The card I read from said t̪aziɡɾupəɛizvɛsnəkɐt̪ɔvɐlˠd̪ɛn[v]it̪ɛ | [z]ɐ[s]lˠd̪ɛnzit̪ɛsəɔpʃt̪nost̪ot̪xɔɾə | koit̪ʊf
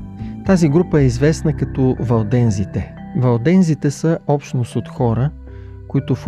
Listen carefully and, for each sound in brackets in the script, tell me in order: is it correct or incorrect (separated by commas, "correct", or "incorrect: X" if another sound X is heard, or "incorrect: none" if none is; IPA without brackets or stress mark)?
incorrect: z, incorrect: v, incorrect: none